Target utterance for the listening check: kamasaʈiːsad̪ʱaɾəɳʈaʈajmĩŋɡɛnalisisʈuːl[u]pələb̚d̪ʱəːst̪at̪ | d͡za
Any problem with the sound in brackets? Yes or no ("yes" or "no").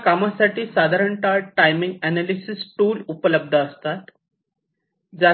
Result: no